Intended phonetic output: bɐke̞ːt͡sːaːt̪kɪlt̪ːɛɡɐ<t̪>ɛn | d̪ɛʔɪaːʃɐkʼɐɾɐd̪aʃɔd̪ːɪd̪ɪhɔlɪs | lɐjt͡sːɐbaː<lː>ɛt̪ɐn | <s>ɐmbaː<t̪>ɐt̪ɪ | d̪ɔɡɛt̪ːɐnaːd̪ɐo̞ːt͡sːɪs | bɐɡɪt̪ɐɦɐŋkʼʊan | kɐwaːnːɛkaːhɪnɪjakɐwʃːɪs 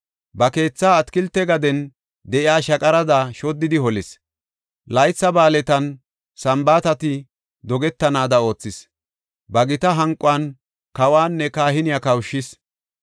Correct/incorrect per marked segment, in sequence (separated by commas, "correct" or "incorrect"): incorrect, incorrect, correct, correct